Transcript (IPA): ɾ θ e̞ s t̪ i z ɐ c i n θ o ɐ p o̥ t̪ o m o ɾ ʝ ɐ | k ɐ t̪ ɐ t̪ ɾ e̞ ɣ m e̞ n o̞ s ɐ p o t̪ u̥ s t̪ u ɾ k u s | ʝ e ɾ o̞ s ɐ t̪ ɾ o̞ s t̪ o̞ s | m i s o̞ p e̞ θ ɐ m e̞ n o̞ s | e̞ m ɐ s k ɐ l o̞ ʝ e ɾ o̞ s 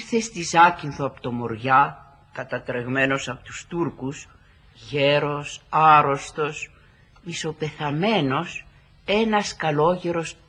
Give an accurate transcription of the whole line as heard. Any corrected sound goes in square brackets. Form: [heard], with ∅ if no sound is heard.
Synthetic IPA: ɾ θ e̞ s t̪ i z ɐ c i n θ o ɐ p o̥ t̪ o m o ɾ ʝ ɐ | k ɐ t̪ ɐ t̪ ɾ e̞ ɣ m e̞ n o̞ s ɐ p o t̪ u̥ s t̪ u ɾ k u s | ʝ e ɾ o̞ s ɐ [∅] ɾ o̞ s t̪ o̞ s | m i s o̞ p e̞ θ ɐ m e̞ n o̞ s | e̞ [n] ɐ s k ɐ l o̞ ʝ e ɾ o̞ s